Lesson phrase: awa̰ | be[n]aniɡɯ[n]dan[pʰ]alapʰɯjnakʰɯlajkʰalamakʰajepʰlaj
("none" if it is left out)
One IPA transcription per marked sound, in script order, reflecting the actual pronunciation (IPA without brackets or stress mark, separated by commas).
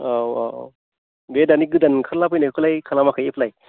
d, none, kʰ